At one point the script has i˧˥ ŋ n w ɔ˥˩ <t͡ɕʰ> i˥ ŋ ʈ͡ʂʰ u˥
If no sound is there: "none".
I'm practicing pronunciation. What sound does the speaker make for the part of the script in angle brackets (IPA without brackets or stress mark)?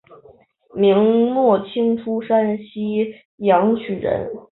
t͡ɕʰ